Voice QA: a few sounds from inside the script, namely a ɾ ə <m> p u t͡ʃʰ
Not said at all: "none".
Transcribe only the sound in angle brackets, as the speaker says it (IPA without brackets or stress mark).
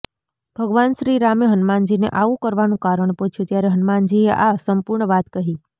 ɳ